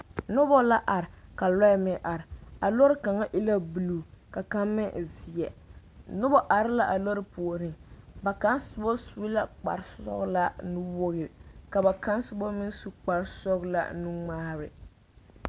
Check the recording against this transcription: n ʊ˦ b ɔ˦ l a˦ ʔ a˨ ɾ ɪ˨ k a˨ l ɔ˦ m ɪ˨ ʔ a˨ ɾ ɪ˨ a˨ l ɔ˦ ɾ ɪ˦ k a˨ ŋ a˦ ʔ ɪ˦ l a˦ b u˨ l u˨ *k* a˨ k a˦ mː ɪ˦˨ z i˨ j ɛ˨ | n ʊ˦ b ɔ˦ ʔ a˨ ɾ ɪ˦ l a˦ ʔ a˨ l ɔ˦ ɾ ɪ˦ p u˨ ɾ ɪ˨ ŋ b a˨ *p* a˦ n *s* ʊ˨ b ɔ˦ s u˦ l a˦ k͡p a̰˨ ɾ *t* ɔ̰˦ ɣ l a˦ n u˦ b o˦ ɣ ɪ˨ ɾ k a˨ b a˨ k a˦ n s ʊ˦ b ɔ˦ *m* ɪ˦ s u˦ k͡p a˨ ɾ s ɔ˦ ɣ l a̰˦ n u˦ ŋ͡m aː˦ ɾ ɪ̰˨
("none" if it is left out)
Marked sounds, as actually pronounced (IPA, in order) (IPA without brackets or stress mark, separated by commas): k, k, s, s, m